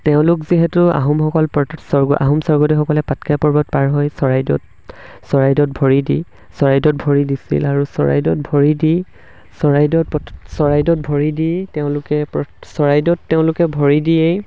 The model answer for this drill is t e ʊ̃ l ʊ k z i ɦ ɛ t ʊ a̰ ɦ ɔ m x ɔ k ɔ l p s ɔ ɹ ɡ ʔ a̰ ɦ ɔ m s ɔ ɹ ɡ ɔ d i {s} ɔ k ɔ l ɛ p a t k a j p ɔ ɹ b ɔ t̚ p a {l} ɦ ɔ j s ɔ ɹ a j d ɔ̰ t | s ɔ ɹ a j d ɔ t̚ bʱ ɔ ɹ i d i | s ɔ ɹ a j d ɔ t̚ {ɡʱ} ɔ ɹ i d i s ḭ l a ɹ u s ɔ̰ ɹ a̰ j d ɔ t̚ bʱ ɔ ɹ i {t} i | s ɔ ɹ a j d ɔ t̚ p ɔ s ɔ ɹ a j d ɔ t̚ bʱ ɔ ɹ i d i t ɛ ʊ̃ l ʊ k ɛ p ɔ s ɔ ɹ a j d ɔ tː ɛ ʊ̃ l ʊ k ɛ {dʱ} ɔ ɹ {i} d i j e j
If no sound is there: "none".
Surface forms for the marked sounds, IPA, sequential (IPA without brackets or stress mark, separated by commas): x, ɹ, bʱ, d, bʱ, i